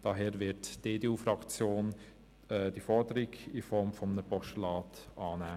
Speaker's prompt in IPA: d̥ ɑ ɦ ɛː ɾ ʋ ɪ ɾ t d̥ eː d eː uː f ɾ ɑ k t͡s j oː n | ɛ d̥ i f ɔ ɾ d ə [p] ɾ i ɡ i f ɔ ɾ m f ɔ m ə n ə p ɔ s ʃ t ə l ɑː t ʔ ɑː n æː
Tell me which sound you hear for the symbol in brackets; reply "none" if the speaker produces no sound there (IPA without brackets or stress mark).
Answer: none